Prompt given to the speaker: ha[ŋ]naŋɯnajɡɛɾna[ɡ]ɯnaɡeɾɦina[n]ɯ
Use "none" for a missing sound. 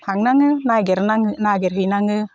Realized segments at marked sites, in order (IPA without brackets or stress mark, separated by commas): ŋ, ŋ, ŋ